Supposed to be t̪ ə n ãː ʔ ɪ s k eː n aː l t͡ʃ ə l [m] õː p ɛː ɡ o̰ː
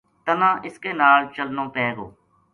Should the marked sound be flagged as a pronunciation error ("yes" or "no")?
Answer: yes